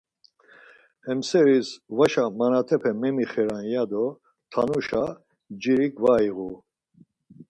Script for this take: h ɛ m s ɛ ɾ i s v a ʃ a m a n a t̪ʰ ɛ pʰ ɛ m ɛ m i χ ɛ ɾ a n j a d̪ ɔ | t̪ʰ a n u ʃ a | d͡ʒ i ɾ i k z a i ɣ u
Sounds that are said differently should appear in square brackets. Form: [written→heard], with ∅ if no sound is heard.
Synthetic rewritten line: h ɛ m s ɛ ɾ i s v a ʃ a m a n a t̪ʰ ɛ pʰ ɛ m ɛ m i χ ɛ ɾ a n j a d̪ ɔ | t̪ʰ a n u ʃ a | d͡ʒ i ɾ i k [z→v] a i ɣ u